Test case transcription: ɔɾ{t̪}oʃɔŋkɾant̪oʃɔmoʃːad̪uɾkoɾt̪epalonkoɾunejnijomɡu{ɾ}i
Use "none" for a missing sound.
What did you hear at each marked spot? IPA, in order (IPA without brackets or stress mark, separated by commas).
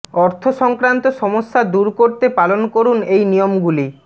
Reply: t̪ʰ, l